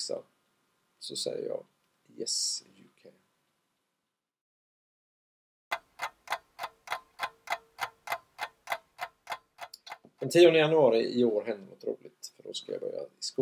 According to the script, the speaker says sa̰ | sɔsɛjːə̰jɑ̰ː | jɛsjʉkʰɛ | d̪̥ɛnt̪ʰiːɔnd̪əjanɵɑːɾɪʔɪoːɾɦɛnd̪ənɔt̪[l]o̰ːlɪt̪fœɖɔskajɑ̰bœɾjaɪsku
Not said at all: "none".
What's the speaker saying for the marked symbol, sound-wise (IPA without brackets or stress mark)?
ɾ